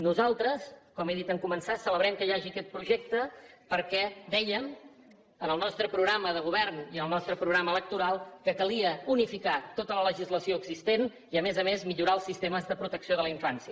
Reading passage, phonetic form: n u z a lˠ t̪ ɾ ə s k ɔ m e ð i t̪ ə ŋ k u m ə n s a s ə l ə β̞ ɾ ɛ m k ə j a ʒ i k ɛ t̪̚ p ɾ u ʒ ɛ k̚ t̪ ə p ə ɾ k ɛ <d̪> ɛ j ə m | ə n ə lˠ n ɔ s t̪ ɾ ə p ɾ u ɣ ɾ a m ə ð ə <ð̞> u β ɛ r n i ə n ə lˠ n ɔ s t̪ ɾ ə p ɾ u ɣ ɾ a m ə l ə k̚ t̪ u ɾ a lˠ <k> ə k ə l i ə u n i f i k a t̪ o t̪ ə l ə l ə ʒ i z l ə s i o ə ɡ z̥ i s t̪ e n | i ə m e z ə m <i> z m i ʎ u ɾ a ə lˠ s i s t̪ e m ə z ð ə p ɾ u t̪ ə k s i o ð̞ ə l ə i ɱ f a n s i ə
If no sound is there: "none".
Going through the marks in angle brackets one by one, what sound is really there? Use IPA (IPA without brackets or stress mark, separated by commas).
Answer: d̪, ɣ̞, k, e